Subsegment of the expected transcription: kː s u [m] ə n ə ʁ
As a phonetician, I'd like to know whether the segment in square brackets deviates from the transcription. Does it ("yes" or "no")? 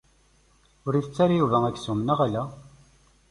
no